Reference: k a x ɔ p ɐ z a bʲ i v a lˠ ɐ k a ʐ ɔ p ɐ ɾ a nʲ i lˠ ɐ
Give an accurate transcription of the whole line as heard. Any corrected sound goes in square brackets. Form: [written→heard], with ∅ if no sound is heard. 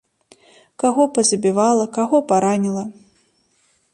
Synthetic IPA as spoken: k a [x→ɣ] ɔ p ɐ z [a→ɐ] bʲ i v a lˠ ɐ k a [ʐ→ɣ] ɔ p [ɐ→a] ɾ a nʲ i lˠ ɐ